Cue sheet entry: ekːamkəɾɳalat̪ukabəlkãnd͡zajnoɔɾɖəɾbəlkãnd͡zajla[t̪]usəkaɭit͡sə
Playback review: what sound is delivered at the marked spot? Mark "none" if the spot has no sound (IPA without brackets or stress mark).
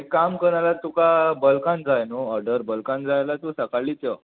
t̪